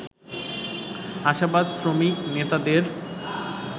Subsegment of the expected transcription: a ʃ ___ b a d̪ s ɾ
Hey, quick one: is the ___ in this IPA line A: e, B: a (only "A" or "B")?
B